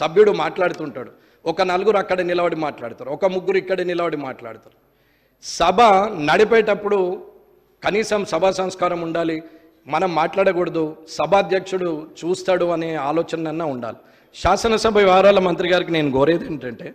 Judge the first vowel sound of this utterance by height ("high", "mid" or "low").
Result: low